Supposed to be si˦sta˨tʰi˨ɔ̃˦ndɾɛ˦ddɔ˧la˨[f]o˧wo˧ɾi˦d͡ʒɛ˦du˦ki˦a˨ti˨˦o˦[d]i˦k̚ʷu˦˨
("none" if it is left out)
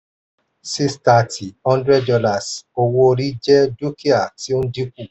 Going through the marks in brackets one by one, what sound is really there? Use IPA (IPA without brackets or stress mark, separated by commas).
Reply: s, d